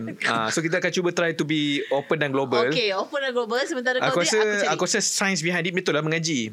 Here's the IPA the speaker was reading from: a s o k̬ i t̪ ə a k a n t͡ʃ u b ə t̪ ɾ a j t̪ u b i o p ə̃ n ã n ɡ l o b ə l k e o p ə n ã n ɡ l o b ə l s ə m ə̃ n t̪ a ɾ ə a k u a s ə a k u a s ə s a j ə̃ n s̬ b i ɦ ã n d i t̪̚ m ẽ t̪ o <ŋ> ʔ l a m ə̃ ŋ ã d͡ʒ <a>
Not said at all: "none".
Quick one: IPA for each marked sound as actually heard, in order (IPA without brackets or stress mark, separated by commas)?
none, i